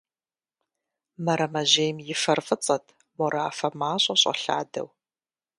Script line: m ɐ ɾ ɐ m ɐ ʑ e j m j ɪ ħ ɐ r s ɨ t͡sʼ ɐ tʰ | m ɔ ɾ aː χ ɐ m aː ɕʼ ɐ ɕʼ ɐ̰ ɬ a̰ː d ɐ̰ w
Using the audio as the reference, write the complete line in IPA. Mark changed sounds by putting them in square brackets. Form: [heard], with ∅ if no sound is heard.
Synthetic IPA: m ɐ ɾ ɐ m ɐ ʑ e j m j ɪ [f] ɐ r [f] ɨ t͡sʼ ɐ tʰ | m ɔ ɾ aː [f] ɐ m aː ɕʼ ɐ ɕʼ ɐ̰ ɬ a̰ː d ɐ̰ w